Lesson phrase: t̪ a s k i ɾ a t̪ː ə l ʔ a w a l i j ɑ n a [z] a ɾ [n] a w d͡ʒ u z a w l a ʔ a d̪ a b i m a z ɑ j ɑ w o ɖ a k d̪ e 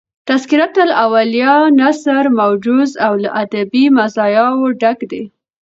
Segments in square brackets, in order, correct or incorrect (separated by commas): incorrect, incorrect